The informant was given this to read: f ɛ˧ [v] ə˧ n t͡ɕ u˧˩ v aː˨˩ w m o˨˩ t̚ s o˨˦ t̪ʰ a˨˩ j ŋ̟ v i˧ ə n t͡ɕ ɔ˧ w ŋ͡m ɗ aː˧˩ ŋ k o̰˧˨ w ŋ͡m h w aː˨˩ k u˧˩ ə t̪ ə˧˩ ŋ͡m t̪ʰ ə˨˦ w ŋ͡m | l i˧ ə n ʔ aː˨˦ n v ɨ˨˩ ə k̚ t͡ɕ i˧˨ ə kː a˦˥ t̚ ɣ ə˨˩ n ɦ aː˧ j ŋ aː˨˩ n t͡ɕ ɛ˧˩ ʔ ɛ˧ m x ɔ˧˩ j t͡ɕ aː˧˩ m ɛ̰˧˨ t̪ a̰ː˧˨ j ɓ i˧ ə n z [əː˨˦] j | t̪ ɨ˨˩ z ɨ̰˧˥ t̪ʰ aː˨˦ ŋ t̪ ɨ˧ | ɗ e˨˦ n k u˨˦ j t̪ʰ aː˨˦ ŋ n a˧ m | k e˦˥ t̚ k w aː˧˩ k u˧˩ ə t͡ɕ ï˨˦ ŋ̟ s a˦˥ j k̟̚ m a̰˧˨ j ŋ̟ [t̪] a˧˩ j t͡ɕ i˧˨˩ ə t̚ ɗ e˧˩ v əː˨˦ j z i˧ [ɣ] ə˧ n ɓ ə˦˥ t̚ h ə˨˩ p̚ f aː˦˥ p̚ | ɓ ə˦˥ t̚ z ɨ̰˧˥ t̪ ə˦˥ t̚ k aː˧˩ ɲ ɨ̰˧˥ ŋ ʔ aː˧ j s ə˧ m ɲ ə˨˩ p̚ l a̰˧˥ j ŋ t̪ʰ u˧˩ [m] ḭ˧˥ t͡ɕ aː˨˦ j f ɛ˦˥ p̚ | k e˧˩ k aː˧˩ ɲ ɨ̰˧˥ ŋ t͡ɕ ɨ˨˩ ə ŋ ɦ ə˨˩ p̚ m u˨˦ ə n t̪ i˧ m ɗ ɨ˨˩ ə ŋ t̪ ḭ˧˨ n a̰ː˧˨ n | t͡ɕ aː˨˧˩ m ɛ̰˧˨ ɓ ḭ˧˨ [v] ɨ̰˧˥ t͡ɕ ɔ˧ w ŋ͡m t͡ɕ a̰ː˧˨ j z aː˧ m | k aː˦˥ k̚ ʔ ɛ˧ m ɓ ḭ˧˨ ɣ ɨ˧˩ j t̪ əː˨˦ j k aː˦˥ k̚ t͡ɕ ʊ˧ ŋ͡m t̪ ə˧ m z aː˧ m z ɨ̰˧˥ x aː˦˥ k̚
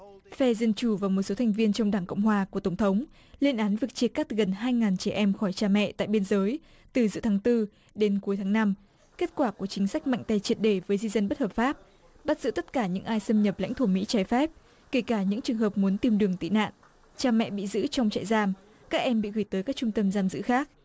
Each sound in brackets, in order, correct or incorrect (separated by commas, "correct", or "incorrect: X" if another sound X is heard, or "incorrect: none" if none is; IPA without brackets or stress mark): incorrect: z, correct, correct, incorrect: z, correct, incorrect: z